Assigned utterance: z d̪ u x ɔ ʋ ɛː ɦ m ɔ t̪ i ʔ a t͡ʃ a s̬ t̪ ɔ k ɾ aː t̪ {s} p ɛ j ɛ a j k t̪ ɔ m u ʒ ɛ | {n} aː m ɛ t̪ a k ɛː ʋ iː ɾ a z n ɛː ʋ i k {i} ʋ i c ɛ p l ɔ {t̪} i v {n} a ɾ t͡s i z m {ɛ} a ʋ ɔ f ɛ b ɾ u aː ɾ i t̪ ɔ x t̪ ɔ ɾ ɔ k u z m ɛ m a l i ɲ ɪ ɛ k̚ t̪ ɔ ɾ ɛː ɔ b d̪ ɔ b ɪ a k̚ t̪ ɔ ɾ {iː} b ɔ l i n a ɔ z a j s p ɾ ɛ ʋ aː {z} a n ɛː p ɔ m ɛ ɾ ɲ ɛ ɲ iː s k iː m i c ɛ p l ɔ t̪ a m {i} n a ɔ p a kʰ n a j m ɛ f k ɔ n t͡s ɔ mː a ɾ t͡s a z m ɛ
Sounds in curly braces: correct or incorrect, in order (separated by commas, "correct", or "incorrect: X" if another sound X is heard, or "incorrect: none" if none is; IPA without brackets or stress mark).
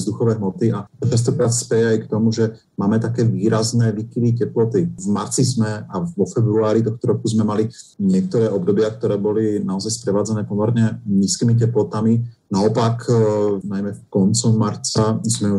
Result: correct, incorrect: m, correct, correct, incorrect: m, correct, incorrect: ɛː, incorrect: d͡z, correct